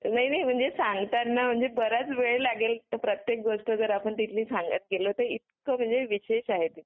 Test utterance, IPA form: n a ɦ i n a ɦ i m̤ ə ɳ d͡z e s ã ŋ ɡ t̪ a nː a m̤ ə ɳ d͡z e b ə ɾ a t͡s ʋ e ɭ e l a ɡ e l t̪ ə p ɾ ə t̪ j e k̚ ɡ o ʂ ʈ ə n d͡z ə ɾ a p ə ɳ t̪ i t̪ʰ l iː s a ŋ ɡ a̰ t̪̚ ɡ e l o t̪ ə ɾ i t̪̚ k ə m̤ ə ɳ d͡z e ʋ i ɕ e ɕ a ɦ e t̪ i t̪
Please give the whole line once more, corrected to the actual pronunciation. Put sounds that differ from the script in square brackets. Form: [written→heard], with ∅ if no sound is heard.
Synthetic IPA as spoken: n a ɦ i n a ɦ i m̤ ə ɳ d͡z e s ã ŋ ɡ t̪ a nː a m̤ ə ɳ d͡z e b ə ɾ a t͡s ʋ e ɭ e l a ɡ e l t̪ ə p ɾ ə t̪ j e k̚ ɡ o ʂ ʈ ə [n→∅] d͡z ə ɾ a p ə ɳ t̪ i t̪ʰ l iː s a ŋ ɡ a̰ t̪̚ ɡ e l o t̪ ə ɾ i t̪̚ k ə m̤ ə ɳ d͡z e ʋ i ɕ e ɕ a ɦ e t̪ i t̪